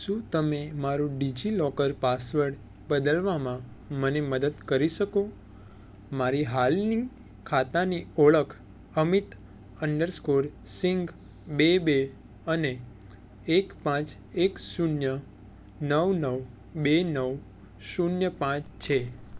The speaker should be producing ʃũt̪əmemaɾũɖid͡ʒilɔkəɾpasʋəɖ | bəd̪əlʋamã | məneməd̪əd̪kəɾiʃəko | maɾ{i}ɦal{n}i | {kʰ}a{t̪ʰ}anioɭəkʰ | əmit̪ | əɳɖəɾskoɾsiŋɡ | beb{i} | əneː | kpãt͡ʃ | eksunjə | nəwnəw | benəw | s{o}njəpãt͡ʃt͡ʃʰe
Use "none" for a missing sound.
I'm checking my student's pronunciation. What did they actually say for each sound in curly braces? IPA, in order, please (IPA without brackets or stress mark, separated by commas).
i, n, kʰ, t̪, e, u